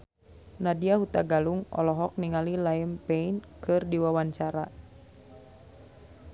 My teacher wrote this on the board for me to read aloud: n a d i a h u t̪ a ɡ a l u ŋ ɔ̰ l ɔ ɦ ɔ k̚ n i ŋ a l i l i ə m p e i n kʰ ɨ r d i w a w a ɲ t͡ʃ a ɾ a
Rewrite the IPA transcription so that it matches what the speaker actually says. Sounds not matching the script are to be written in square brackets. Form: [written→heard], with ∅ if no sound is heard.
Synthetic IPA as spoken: n a d i a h u t̪ a ɡ a l u ŋ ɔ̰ l ɔ ɦ ɔ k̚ n i ŋ a l i l [i→a] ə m p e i n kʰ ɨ r d i w a w a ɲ t͡ʃ a ɾ a